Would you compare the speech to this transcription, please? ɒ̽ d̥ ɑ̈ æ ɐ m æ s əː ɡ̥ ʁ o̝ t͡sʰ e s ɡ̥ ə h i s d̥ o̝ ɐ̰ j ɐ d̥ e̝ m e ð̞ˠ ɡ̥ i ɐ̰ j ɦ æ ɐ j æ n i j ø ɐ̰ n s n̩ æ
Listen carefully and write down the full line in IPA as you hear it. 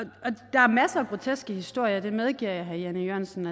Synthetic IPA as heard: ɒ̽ d̥ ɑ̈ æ ɐ m æ s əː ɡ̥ ʁ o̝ t͡sʰ e s ɡ̥ ə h i s d̥ o̝ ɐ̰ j ɐ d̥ e̝ m e ð̞ˠ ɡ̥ i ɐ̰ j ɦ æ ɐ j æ n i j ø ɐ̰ n s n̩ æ